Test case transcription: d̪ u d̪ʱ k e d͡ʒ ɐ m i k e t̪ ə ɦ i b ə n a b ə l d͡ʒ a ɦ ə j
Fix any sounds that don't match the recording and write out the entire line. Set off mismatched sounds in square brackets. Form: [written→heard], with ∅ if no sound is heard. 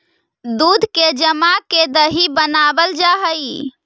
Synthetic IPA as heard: d̪ u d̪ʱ k e d͡ʒ [ɐ→ə] m [i→a] k e [t̪→d̪] ə ɦ i b ə n a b ə l d͡ʒ a ɦ ə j